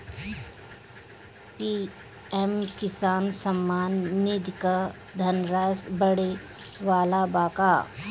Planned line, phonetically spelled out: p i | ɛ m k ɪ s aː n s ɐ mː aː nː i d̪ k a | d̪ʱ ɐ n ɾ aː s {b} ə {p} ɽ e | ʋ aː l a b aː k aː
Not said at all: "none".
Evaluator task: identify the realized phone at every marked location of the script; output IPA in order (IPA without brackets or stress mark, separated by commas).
b, none